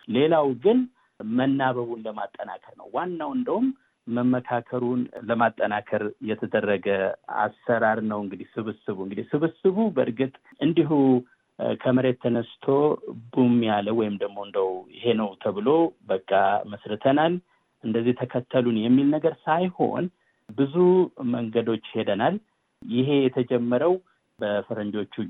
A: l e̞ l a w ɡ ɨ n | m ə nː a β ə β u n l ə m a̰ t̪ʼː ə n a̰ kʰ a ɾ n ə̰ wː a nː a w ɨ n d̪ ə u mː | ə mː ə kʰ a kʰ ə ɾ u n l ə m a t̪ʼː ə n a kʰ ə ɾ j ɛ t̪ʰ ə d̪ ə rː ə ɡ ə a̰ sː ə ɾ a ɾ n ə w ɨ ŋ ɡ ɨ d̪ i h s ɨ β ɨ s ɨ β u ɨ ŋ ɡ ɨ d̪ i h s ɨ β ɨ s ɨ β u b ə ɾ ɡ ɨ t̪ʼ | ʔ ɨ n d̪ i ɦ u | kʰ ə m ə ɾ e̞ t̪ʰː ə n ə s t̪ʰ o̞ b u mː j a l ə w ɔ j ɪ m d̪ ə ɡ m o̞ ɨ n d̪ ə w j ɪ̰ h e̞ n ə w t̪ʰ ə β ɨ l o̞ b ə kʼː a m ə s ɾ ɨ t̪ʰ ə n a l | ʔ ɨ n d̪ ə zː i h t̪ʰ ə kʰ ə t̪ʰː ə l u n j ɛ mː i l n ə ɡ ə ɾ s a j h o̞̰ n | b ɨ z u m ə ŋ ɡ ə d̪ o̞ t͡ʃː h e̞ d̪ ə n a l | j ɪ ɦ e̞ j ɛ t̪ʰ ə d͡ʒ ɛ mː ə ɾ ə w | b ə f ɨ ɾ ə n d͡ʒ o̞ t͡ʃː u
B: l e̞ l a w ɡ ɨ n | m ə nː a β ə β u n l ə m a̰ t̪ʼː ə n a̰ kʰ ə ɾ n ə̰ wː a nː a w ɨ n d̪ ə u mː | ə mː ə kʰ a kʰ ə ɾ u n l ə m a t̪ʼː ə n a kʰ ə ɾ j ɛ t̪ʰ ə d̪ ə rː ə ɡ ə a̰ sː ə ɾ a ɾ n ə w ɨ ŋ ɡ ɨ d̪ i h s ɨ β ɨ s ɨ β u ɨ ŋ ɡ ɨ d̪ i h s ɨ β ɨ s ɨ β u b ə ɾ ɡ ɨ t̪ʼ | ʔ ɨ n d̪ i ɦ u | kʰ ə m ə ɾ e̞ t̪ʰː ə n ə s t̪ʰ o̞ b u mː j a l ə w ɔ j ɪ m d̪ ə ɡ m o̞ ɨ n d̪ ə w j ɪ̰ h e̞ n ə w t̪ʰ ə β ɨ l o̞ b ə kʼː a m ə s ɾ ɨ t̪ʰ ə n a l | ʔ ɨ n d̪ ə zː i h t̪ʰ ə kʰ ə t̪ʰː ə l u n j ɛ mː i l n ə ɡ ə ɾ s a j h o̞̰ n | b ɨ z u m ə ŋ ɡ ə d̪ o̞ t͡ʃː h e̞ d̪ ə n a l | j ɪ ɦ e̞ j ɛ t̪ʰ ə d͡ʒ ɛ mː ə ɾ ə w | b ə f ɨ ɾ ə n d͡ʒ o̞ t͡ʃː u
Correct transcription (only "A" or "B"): B